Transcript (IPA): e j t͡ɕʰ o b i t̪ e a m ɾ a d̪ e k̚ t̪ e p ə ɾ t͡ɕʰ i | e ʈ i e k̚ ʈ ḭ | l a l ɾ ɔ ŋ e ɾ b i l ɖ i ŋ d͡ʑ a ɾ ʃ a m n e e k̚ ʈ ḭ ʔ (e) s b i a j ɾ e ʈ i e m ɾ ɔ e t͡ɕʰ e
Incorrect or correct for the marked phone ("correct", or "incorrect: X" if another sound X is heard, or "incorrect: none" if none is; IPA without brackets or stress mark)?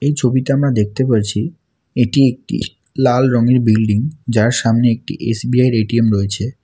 correct